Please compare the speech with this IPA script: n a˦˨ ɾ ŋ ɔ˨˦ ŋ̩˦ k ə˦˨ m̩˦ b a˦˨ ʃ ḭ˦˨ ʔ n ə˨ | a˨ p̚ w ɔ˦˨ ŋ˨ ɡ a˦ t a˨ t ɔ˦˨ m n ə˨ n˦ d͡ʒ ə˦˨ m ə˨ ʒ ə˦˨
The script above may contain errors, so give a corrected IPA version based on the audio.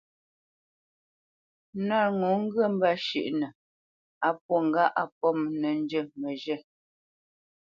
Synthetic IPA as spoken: n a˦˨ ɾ ŋ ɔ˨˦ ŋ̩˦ ɡ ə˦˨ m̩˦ b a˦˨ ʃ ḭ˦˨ ʔ n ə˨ | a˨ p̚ w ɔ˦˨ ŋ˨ ɡ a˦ ʔ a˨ p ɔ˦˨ m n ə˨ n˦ d͡ʒ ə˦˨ m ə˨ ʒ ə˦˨